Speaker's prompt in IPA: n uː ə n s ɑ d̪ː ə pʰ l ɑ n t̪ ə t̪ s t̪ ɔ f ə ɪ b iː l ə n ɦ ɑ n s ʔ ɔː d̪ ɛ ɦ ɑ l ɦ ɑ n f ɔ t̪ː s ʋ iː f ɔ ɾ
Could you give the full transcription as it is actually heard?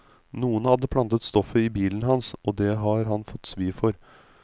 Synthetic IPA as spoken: n uː ə n h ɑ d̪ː ə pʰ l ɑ n t̪ ə t̪ s t̪ ɔ f ə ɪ b iː l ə n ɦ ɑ n s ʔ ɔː d̪ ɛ ɦ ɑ ɾ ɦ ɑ n f ɔ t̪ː s ʋ iː f ɔ ɾ